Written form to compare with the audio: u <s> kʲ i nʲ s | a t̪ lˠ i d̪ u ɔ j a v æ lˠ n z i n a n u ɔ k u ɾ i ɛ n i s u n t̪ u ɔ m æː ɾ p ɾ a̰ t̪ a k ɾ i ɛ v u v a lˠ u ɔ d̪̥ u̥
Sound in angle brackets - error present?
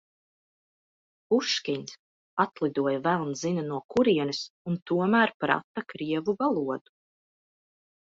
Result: yes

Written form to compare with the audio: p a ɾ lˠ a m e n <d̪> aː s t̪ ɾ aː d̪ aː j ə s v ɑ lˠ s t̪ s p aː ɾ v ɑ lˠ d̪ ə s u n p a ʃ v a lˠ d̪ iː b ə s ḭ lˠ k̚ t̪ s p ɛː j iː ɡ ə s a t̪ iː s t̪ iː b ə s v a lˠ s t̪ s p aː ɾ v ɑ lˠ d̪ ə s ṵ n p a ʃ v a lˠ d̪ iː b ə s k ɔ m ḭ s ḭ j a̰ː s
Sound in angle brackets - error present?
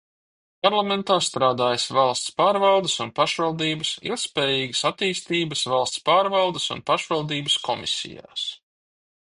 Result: yes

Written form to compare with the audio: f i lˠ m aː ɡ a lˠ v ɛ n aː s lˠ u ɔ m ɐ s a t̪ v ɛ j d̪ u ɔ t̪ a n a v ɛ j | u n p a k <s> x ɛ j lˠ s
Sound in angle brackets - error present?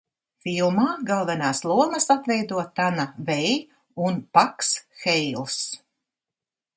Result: no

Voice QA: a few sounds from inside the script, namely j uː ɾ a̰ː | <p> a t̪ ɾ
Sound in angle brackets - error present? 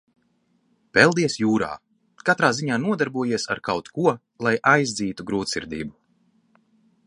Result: yes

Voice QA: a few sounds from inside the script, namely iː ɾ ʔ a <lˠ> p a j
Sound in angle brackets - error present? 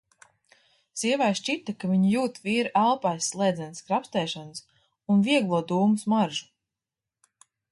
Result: no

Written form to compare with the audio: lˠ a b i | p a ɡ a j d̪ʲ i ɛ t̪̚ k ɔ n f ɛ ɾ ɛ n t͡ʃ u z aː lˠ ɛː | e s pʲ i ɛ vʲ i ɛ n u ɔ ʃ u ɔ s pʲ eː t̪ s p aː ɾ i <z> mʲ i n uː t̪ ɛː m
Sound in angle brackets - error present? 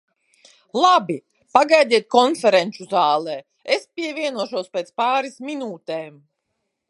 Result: yes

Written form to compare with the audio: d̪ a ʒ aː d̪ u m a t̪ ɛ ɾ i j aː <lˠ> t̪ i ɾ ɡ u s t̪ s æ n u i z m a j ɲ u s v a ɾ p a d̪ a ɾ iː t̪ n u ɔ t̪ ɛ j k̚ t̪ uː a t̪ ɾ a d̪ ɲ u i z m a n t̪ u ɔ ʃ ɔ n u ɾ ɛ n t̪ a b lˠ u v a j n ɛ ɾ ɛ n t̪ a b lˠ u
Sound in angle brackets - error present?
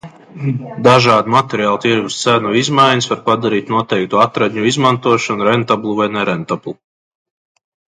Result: no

